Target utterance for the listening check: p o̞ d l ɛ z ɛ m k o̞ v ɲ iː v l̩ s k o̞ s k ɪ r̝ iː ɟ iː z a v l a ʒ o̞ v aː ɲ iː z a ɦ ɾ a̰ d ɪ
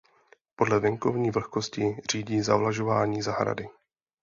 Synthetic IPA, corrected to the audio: p o̞ d l ɛ v ɛ ŋ k o̞ v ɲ iː v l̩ x k o̞ s c ɪ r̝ iː ɟ iː z a v l a ʒ o̞ v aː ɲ iː z a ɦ ɾ a̰ d ɪ